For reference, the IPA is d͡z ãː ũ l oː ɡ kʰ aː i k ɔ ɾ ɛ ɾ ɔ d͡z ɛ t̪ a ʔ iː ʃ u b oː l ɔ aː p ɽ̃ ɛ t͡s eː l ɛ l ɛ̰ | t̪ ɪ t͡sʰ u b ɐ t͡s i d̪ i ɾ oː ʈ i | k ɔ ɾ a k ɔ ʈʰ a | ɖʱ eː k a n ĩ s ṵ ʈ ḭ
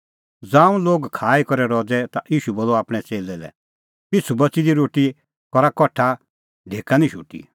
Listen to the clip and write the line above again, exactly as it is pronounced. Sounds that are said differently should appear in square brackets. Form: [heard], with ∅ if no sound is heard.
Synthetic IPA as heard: d͡z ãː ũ l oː ɡ kʰ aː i k ɔ ɾ ɛ ɾ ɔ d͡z ɛ t̪ a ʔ iː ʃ u b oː l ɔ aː p ɽ̃ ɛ t͡s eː l ɛ l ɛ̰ | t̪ ɪ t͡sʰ u b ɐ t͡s i d̪ i ɾ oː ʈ i | k ɔ ɾ a k ɔ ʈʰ a | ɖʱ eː k a n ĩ [ʃ] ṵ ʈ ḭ